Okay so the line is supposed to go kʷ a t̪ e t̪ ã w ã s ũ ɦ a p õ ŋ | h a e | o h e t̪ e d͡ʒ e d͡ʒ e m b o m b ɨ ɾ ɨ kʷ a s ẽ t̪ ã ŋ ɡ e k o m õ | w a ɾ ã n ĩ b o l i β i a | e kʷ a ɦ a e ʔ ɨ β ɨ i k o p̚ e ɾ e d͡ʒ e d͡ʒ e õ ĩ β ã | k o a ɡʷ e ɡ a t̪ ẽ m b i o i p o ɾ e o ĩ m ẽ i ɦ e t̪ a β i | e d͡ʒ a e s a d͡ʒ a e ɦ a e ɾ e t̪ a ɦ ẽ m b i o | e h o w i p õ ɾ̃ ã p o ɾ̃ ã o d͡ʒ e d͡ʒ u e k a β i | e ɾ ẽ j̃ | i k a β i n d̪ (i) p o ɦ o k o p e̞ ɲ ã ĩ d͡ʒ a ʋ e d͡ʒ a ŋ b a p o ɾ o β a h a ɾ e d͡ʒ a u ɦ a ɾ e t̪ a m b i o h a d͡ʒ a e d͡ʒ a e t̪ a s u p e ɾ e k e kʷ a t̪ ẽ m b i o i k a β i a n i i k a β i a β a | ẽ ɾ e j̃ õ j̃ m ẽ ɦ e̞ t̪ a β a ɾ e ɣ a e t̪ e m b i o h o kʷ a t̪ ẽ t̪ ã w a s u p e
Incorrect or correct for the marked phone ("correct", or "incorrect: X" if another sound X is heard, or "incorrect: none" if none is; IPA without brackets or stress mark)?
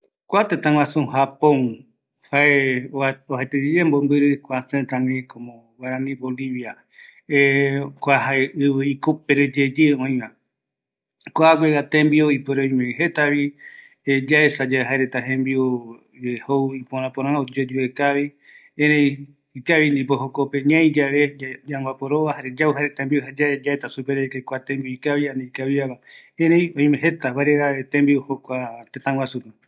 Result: correct